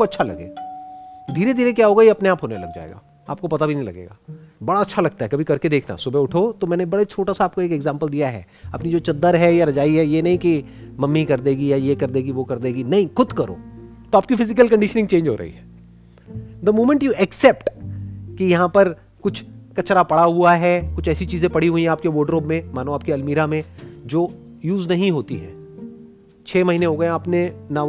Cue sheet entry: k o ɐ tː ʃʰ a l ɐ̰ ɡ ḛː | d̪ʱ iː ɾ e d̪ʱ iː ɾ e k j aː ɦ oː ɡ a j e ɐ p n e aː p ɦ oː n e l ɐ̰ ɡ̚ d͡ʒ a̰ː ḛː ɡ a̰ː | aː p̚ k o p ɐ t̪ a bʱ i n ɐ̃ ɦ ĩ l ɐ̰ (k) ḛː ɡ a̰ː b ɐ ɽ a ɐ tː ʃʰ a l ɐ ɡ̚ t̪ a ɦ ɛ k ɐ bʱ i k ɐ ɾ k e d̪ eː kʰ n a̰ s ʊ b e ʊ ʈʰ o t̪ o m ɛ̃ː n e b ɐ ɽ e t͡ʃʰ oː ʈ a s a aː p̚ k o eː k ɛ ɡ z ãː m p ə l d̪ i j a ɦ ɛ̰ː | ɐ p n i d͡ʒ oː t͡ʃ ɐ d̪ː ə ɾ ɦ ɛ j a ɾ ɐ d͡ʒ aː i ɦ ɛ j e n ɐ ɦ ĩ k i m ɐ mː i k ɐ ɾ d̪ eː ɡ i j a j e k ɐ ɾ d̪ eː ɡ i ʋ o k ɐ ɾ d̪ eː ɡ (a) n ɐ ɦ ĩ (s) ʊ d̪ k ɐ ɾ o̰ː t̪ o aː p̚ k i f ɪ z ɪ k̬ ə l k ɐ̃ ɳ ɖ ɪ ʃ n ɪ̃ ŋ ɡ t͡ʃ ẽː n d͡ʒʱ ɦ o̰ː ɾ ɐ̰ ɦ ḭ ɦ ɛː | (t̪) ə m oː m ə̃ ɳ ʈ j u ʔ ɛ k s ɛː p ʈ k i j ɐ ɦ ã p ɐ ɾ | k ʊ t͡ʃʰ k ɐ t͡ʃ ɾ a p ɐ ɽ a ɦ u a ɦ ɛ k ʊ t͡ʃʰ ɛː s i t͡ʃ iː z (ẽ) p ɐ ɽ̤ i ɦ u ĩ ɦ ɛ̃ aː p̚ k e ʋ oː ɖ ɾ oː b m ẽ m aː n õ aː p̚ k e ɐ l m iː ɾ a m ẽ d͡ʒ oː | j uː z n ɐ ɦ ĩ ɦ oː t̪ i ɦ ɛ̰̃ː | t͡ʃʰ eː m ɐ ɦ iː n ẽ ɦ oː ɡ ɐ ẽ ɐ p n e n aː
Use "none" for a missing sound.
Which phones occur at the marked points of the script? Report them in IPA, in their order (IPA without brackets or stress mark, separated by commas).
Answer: ɡ, i, x, d̪, ẽ